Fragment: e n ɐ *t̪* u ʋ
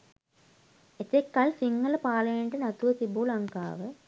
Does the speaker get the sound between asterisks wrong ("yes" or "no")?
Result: no